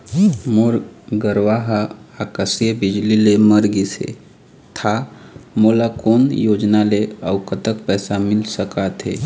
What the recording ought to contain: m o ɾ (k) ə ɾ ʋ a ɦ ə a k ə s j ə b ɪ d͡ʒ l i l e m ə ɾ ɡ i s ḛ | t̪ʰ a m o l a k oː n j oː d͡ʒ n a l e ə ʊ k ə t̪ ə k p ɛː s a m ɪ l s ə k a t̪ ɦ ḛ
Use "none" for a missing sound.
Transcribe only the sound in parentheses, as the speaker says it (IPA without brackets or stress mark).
ɡ